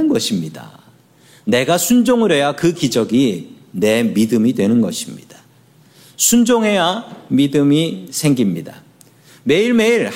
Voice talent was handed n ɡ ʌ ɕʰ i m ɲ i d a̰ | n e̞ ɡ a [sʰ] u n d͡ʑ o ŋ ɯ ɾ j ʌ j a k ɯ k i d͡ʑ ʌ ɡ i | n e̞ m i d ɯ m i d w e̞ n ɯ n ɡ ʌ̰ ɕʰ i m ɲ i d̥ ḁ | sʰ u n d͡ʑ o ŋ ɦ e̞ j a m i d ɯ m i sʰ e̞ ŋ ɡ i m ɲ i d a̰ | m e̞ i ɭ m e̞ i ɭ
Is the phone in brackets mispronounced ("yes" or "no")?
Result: no